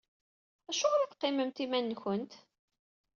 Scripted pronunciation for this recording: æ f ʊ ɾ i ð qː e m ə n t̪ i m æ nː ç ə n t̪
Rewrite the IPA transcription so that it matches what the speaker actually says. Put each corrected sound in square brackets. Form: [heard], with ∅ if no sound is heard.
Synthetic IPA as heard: æ [ʃ] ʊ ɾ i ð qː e m ə [m] t̪ i m æ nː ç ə n t̪